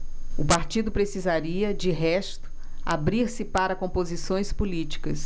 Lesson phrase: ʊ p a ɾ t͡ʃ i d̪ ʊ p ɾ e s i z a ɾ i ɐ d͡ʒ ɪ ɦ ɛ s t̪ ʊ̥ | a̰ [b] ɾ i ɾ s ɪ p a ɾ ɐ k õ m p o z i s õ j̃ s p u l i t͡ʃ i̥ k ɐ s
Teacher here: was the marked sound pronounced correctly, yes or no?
yes